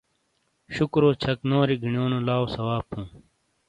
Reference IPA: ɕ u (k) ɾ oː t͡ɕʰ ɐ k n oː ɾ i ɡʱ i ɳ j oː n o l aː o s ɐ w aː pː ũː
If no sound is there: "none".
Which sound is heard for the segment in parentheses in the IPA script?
k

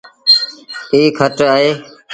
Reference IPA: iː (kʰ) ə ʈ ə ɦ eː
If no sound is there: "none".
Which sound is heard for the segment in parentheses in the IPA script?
kʰ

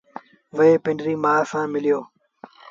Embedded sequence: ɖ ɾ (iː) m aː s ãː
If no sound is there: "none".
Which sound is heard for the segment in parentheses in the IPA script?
iː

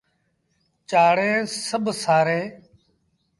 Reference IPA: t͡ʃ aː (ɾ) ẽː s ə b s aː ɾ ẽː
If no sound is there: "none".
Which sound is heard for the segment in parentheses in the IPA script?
ɽ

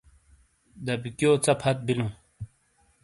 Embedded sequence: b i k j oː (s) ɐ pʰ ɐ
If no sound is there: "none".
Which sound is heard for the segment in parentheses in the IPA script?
t͡s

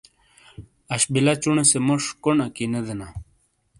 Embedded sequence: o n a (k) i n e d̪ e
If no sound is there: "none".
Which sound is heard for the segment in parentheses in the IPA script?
k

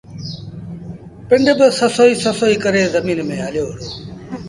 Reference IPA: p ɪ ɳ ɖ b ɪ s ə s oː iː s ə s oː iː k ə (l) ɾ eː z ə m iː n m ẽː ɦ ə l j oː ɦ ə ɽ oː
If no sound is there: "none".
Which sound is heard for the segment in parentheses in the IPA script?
none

